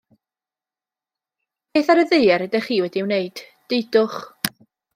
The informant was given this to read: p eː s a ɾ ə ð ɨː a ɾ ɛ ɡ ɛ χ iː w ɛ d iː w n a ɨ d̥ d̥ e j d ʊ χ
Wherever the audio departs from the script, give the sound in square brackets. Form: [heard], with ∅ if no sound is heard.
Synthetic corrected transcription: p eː [θ] a ɾ ə ð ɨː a ɾ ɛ [d] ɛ χ iː w ɛ d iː w n [e] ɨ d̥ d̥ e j d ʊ χ